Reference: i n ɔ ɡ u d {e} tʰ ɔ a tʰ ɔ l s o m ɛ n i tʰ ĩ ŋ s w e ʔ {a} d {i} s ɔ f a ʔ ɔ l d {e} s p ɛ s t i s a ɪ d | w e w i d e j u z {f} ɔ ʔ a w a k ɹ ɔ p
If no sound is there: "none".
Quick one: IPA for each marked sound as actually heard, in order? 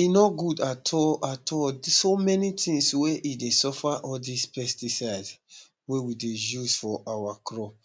a, i, e, i, f

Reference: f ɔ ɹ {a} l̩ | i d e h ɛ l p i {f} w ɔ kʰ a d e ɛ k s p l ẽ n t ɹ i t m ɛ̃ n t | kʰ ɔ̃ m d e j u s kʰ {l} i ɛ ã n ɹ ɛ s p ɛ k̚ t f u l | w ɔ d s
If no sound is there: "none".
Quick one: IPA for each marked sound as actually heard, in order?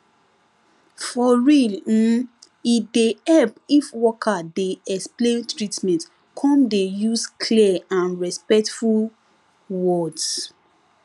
i, f, l

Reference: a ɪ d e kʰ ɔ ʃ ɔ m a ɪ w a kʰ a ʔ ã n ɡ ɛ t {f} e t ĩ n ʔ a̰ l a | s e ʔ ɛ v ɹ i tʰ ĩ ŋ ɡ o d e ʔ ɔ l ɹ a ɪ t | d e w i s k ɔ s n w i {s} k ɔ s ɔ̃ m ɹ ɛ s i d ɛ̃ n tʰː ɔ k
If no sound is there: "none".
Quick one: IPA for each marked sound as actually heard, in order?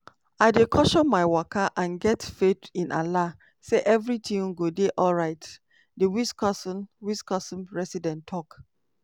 f, s

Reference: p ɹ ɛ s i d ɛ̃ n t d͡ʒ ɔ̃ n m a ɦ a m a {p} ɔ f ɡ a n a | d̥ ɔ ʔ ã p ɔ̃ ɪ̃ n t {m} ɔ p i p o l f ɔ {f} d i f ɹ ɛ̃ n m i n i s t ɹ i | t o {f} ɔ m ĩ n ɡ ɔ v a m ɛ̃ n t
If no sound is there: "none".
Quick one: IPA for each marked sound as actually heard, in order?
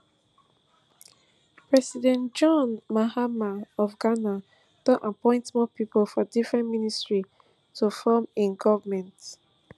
none, m, none, f

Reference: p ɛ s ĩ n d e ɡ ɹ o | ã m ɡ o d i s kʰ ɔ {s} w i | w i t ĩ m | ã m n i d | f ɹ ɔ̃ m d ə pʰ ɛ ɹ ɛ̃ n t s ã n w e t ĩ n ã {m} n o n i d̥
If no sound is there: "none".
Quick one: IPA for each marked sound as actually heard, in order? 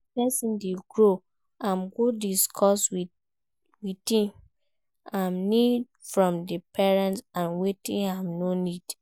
s, m

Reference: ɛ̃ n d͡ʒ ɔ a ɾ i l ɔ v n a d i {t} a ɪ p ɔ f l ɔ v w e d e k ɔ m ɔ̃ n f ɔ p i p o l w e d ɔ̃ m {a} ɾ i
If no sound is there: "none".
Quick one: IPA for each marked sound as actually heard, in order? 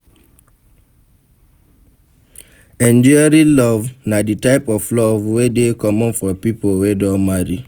t, a

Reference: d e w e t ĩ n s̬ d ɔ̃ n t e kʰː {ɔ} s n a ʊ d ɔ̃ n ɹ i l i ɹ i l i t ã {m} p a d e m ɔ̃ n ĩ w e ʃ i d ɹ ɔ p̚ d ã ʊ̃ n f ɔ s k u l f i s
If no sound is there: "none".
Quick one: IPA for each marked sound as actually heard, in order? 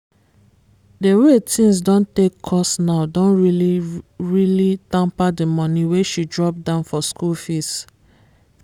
ɔ, m

